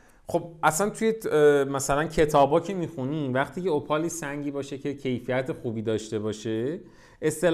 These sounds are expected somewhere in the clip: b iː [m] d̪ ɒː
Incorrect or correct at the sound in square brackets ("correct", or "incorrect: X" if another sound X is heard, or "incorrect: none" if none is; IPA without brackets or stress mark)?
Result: incorrect: none